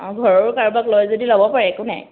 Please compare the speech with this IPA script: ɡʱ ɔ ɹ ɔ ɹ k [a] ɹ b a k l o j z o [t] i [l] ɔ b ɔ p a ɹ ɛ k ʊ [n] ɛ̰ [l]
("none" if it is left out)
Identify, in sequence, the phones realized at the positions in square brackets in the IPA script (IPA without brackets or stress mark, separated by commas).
a, d, l, n, none